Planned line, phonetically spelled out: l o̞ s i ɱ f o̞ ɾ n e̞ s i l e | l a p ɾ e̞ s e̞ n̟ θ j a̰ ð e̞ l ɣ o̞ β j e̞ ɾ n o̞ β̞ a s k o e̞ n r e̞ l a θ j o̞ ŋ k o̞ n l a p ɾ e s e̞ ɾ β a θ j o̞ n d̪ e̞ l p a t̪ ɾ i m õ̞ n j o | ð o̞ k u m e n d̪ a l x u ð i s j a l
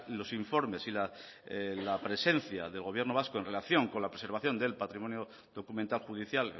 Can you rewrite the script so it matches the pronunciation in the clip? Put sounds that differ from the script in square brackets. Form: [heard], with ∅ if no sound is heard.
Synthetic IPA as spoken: l o̞ s i ɱ f o̞ ɾ [m] e̞ s i l [a] | l a p ɾ e̞ s e̞ n̟ θ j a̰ ð e̞ l ɣ o̞ β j e̞ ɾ n o̞ β̞ a s k o e̞ n r e̞ l a θ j o̞ ŋ k o̞ n l a p ɾ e s e̞ ɾ β a θ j o̞ n d̪ e̞ l p a t̪ ɾ i m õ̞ n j o | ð o̞ k u m e n [t̪] a l x u ð i [θ] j a l